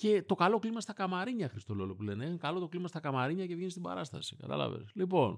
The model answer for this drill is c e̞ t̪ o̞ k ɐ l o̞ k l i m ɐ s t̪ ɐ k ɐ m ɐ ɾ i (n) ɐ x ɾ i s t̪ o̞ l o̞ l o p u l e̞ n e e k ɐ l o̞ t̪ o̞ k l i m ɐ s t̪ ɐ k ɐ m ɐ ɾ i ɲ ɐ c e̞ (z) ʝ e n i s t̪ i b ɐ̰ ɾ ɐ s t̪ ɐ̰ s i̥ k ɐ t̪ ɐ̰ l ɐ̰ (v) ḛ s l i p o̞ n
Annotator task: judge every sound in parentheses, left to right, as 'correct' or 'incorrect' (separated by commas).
incorrect, incorrect, correct